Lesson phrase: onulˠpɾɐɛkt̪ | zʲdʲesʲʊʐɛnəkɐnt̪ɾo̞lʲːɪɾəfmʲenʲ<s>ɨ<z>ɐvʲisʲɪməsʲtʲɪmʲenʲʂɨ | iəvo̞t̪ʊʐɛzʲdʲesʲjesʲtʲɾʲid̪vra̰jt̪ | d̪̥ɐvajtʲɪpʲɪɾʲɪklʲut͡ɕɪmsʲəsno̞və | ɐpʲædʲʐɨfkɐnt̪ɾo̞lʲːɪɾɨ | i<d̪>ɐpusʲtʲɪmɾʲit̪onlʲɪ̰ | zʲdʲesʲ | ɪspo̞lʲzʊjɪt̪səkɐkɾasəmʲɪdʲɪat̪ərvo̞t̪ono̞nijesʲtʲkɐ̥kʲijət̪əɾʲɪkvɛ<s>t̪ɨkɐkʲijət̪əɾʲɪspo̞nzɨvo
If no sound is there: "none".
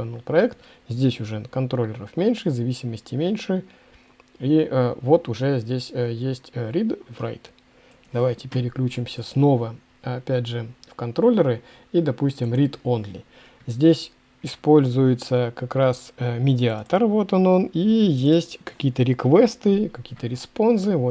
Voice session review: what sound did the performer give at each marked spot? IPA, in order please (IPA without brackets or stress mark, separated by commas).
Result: ʂ, z, d̪, s